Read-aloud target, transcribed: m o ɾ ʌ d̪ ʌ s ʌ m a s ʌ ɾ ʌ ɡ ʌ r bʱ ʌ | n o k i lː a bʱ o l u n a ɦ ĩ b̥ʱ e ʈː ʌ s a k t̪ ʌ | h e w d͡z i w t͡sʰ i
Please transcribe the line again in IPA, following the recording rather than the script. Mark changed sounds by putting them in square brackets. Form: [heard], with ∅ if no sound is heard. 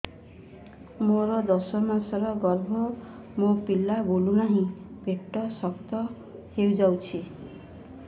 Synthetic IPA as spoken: m o ɾ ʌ d̪ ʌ s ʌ m a s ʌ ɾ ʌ ɡ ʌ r bʱ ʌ | [m] o [p] i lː a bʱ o l u n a ɦ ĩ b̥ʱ e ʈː ʌ s [ʌ] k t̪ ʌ | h e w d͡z [a] w t͡sʰ i